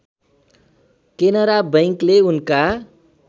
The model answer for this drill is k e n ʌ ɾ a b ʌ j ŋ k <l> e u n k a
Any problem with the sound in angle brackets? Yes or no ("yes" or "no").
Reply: no